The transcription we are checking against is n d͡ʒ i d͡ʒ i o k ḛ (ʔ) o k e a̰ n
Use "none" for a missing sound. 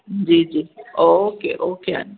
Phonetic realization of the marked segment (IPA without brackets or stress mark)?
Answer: ʔ